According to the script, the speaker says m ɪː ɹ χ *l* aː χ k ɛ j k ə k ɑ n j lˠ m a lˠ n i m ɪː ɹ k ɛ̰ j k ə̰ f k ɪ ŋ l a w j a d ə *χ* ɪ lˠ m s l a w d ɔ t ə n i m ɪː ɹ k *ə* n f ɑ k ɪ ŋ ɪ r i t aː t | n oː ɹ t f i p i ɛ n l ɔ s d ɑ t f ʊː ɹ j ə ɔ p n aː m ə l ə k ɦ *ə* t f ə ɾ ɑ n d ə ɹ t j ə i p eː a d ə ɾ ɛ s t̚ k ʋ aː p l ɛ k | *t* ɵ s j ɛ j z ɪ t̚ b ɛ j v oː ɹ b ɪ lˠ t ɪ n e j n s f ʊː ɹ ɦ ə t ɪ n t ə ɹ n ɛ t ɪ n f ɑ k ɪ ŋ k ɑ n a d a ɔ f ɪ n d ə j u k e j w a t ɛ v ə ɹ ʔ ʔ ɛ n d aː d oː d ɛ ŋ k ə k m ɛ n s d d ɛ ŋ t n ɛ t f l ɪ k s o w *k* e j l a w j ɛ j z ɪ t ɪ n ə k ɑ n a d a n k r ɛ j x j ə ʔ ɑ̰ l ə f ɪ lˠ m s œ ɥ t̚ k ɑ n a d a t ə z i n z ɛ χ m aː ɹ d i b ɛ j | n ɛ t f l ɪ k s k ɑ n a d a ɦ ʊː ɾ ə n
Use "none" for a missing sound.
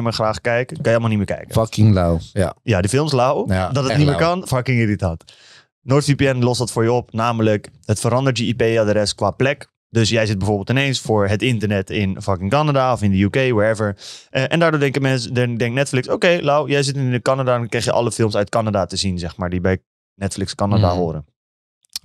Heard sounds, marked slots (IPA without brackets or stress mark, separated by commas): r, f, ɑ, ə, d, k